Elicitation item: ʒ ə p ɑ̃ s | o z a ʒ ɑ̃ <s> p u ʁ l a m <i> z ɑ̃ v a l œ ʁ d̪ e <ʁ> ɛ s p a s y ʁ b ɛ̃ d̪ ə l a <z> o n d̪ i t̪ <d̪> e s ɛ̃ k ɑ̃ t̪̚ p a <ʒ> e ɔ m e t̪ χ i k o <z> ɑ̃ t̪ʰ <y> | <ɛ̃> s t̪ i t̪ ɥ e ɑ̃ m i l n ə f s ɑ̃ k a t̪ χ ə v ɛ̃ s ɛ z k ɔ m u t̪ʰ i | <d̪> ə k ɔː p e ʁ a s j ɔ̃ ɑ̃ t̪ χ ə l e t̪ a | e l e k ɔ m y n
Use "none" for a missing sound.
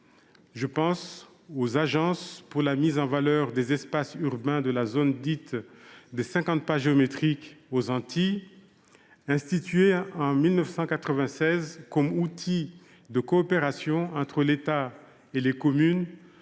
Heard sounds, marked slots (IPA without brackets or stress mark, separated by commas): s, i, z, z, d̪, ʒ, z, i, ɛ̃, d̪